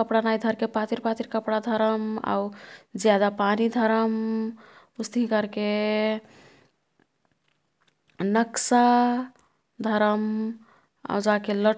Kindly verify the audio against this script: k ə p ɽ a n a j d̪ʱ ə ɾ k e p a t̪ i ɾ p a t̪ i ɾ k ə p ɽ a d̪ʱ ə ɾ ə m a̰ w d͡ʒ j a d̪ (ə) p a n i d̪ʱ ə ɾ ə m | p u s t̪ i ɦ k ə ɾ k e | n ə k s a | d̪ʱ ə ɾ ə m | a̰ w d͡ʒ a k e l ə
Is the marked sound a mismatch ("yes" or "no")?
yes